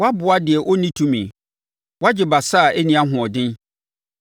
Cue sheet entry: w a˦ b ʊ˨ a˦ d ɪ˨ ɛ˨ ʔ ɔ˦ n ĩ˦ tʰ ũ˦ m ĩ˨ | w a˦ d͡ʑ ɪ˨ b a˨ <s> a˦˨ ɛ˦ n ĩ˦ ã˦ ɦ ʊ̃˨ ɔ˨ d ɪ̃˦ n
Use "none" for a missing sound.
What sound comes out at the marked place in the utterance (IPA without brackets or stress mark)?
s